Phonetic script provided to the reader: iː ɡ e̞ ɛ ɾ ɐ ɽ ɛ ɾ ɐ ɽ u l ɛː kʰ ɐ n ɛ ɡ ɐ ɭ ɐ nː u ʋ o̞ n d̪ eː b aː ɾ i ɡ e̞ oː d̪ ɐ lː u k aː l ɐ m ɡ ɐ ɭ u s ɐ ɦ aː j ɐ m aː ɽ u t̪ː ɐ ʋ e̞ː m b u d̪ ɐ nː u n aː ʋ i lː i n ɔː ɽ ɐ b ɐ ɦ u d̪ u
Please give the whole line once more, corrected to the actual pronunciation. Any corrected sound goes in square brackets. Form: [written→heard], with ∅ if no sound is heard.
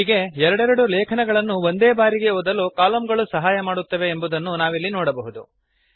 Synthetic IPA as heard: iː ɡ e̞ ɛ ɾ ɐ ɽ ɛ ɾ ɐ ɽ u l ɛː kʰ ɐ n ɛ ɡ ɐ ɭ ɐ nː u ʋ o̞ n d̪ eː b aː ɾ i ɡ e̞ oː d̪ ɐ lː u k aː l ɐ m ɡ ɐ ɭ u s ɐ ɦ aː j ɐ m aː ɽ u t̪ː ɐ ʋ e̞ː m b u d̪ ɐ nː u n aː ʋ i lː i n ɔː ɽ ɐ b ɐ ɦ u d̪ u